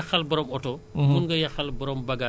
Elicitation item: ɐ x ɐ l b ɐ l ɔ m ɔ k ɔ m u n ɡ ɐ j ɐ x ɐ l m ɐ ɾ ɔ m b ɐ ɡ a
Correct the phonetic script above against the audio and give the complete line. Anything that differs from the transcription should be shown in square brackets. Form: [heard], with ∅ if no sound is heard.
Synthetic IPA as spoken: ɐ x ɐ l b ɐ [ɾ] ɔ m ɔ [t] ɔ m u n ɡ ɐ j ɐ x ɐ l [b] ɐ ɾ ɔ m b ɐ ɡ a